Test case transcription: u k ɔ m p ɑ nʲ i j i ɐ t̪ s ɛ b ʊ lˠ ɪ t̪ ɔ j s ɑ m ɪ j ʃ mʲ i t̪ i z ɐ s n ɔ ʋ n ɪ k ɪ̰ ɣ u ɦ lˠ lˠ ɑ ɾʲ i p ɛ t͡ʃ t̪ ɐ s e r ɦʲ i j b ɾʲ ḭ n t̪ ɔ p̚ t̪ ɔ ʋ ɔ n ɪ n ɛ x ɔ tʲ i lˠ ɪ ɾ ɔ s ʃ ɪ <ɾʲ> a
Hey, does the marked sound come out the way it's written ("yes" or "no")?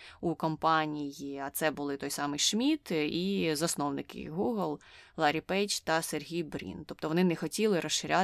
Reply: yes